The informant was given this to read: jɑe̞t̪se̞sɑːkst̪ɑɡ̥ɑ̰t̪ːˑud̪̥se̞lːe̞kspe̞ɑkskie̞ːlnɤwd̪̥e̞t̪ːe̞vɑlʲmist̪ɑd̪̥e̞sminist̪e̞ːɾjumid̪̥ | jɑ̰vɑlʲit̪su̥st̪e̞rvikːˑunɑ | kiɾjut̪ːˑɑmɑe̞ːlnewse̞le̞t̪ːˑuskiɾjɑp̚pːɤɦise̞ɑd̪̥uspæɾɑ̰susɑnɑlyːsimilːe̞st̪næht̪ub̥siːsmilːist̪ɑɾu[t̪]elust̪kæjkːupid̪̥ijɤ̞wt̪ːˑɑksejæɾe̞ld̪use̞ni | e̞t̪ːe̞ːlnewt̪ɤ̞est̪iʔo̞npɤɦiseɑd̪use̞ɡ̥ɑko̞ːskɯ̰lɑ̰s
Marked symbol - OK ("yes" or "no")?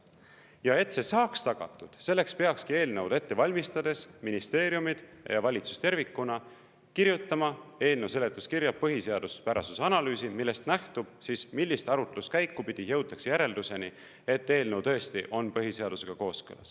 yes